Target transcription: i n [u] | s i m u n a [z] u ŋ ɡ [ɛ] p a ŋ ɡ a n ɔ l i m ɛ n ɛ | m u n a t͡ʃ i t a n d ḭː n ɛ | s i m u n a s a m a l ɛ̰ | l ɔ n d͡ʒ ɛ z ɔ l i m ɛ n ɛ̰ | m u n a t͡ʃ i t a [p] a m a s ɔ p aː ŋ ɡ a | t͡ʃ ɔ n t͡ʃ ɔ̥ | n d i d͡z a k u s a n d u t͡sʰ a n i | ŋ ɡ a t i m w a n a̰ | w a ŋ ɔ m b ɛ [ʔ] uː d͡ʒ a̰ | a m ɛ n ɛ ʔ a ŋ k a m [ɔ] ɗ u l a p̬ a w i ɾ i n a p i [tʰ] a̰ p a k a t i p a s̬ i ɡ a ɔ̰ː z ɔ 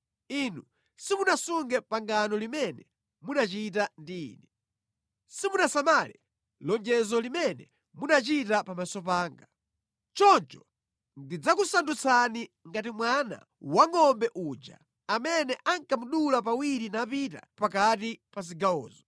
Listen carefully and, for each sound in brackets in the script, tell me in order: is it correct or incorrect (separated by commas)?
correct, incorrect, correct, correct, correct, incorrect, incorrect